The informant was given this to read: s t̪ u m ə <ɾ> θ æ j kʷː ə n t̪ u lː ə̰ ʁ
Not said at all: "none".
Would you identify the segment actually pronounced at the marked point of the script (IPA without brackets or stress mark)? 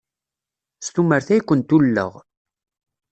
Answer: ɾ